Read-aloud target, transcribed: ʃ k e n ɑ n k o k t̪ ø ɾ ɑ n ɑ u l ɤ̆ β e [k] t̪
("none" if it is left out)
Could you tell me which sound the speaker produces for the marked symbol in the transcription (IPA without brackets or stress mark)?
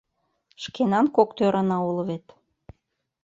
none